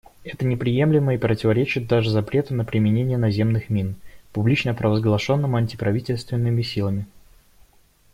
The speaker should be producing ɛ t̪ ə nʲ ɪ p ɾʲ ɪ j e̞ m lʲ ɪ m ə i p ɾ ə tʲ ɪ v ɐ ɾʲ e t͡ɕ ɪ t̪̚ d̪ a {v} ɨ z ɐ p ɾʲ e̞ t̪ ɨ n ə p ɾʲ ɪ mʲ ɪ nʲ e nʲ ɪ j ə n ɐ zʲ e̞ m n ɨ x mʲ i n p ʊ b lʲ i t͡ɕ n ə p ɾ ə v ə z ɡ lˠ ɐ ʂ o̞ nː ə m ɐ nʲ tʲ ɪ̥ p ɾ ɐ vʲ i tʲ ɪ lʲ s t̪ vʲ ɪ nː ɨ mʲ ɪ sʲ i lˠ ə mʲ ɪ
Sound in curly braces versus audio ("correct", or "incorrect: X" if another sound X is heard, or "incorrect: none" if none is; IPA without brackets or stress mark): incorrect: ʐ